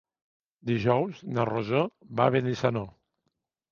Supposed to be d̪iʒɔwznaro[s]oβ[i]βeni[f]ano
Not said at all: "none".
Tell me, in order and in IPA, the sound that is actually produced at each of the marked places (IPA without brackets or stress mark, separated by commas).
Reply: z, a, s